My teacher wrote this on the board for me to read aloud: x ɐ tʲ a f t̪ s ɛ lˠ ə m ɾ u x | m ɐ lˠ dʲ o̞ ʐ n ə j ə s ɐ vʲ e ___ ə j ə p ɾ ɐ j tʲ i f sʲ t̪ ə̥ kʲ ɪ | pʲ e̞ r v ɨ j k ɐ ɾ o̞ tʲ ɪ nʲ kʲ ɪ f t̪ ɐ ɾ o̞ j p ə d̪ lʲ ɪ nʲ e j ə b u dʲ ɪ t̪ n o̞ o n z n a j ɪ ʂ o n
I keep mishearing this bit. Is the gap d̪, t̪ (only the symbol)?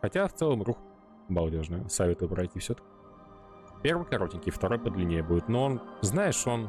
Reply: t̪